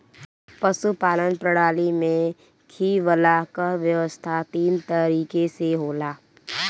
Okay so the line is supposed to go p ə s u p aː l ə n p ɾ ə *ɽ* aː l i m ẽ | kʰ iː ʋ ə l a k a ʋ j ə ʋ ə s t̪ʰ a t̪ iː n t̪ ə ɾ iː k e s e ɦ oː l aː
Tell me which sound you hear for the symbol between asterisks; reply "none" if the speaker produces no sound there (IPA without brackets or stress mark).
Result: ɽ